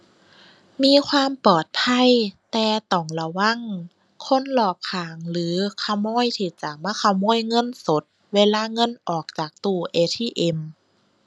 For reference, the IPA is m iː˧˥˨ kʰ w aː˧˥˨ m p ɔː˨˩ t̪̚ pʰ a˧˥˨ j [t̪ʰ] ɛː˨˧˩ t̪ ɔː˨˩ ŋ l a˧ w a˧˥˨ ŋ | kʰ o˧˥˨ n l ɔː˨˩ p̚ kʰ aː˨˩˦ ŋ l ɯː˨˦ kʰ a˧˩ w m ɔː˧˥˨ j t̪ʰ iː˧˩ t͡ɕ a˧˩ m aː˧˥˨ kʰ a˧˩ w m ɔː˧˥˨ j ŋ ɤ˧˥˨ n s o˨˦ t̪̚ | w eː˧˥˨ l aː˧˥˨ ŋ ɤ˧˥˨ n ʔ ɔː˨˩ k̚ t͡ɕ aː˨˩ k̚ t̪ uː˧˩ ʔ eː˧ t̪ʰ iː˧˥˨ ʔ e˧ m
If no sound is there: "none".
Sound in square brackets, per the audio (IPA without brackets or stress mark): t̪